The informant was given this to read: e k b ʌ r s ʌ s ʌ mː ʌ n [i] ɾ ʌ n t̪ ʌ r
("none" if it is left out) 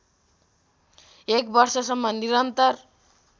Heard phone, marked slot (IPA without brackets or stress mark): i